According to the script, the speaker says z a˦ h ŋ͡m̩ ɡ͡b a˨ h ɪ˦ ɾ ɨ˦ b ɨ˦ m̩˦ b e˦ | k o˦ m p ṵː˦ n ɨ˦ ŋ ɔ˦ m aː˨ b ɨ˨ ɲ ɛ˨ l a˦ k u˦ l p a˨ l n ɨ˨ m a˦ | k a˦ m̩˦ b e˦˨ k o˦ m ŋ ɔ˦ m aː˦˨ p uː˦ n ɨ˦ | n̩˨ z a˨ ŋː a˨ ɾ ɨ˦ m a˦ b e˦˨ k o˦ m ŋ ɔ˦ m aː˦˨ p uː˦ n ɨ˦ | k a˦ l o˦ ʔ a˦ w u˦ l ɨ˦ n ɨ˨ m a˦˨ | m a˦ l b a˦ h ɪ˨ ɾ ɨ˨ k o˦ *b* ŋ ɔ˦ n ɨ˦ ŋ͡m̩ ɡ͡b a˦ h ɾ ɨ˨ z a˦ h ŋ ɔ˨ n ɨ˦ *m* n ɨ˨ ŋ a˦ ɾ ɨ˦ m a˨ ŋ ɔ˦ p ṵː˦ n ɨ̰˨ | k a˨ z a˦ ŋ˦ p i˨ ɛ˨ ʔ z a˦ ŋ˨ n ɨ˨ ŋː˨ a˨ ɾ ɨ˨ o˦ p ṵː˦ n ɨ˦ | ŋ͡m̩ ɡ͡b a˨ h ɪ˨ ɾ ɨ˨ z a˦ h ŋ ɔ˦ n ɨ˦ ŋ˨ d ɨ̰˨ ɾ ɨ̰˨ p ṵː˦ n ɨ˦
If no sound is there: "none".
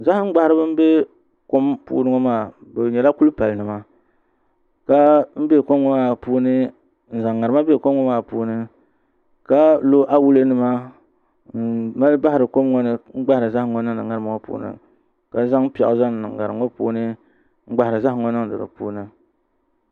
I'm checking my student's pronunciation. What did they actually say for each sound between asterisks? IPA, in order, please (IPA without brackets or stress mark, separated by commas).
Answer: m, ŋ